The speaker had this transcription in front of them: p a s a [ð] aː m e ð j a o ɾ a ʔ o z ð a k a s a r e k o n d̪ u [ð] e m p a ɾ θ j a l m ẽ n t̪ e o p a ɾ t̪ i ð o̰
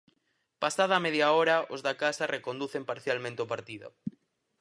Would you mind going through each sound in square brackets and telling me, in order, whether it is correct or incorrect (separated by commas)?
correct, incorrect